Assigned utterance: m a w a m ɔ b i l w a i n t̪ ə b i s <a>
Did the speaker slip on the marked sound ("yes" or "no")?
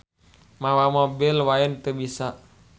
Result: no